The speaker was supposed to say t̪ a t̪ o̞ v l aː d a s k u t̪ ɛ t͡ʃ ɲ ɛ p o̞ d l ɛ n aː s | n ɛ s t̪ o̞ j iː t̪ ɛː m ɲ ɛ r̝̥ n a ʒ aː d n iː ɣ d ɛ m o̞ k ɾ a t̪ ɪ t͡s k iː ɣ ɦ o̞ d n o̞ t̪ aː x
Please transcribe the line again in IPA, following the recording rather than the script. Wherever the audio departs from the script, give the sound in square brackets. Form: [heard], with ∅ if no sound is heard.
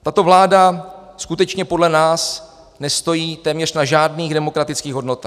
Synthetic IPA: t̪ a t̪ o̞ v l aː d a s k u t̪ ɛ t͡ʃ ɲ ɛ p o̞ d l ɛ n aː s | n ɛ s t̪ o̞ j iː t̪ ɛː m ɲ ɛ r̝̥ n a ʒ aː d n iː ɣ d ɛ m o̞ k ɾ a t̪ ɪ t͡s k iː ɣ ɦ o̞ d n o̞ t̪ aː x